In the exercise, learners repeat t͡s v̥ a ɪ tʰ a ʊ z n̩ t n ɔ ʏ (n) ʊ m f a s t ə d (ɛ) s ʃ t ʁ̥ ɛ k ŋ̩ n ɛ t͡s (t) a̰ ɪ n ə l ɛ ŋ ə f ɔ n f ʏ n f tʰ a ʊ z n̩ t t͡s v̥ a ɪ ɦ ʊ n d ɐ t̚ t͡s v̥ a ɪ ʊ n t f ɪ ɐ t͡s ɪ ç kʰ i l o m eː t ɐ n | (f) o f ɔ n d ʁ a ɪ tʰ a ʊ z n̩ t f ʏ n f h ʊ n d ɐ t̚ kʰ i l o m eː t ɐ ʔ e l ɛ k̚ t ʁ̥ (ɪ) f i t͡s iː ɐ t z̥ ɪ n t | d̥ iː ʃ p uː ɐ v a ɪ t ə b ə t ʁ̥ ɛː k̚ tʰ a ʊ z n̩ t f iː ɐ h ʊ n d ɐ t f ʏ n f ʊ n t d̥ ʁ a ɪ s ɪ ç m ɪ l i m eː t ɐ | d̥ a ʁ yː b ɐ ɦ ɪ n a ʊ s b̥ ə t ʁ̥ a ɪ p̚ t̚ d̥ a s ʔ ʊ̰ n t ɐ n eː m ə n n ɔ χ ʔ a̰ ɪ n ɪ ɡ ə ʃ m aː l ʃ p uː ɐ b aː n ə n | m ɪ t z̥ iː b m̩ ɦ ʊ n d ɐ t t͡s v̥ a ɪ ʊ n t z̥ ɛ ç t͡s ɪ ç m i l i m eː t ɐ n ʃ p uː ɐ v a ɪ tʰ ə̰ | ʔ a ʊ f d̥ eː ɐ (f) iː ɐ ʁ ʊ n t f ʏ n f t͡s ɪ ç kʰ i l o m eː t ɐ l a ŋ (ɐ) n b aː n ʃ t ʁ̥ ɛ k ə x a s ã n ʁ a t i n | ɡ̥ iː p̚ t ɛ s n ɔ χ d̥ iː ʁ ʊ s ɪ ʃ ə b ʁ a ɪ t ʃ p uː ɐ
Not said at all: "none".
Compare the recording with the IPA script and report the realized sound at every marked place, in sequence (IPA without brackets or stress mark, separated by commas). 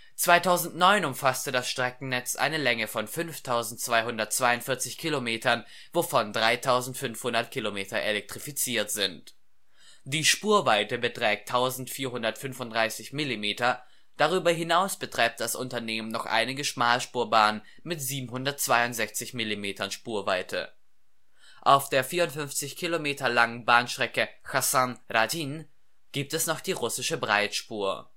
n, a, ʔ, v, i, f, ə